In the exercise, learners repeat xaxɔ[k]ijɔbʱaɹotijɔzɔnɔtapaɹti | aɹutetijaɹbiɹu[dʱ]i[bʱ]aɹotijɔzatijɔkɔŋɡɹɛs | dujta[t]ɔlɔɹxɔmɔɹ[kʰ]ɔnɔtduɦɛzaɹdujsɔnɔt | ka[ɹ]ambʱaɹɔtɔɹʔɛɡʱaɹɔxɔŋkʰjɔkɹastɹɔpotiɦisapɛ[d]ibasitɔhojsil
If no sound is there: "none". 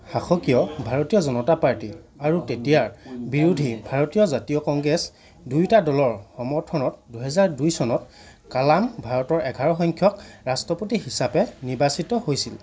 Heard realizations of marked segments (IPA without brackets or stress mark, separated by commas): k, dʱ, bʱ, d, tʰ, l, n